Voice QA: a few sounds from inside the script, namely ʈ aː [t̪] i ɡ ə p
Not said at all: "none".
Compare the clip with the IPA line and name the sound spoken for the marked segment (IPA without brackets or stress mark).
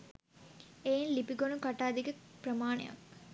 d̪